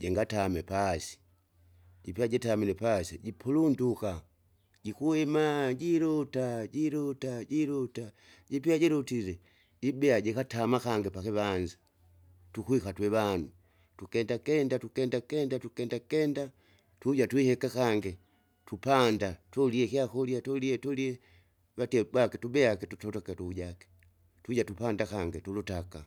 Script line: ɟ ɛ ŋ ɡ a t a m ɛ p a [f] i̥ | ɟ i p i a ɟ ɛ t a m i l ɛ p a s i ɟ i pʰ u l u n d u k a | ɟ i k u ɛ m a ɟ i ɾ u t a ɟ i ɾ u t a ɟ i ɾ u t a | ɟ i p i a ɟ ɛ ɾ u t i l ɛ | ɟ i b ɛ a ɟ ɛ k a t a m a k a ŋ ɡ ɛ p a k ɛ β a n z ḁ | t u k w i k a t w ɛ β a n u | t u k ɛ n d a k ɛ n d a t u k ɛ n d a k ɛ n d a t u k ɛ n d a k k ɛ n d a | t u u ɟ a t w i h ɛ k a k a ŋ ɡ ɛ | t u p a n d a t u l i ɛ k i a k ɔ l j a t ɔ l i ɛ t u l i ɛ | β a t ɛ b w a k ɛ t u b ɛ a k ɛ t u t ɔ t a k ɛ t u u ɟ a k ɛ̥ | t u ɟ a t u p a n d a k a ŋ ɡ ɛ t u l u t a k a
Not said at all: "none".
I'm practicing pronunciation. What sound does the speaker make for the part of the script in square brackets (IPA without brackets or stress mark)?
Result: s